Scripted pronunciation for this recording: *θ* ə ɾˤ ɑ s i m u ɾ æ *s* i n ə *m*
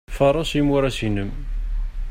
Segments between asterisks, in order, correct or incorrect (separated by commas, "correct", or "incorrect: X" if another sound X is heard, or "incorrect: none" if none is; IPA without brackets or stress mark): incorrect: f, correct, correct